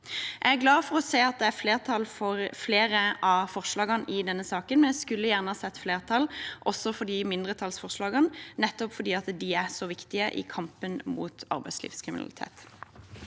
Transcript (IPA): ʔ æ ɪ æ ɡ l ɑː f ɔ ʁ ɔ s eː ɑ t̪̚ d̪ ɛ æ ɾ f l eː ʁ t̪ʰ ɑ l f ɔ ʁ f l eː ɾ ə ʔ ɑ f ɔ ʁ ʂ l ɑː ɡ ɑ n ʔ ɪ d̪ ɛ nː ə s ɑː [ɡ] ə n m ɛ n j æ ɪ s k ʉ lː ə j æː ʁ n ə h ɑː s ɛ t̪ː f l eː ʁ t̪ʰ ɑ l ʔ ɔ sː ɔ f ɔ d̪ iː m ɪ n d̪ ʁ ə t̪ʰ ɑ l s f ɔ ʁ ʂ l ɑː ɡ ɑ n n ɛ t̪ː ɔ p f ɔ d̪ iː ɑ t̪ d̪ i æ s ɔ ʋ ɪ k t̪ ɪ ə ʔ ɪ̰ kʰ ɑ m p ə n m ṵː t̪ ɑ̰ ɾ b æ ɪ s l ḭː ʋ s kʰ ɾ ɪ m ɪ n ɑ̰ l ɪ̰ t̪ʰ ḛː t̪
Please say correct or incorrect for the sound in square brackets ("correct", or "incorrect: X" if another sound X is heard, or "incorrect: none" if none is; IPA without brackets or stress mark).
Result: incorrect: k